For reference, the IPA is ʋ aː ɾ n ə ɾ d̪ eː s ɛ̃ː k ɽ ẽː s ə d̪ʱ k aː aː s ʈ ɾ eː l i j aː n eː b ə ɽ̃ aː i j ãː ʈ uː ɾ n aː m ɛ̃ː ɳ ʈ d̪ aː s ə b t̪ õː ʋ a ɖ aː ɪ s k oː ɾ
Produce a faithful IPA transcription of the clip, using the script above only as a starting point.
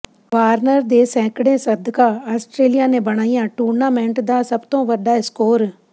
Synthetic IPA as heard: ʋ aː ɾ n ə ɾ d̪ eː s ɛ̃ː k ɽ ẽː s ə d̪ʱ k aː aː s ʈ ɾ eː l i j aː n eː b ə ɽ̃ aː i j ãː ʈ uː ɾ n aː m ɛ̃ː ɳ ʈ d̪ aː s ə b t̪ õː ʋ ə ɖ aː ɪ s k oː ɾ